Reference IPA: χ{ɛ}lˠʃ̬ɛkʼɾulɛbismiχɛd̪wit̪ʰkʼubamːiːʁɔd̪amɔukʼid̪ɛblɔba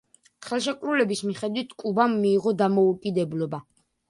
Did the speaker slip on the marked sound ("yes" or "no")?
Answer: no